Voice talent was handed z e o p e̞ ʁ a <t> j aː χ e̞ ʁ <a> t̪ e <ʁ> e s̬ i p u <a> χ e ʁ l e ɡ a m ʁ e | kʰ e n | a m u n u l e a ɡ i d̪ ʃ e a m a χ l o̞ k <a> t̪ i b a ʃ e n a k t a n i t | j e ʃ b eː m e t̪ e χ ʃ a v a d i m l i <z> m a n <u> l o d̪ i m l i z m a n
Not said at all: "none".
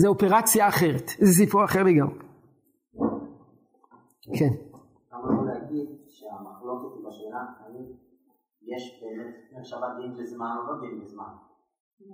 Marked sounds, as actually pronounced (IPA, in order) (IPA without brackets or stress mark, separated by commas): t͡s, e, z, a, e, z, o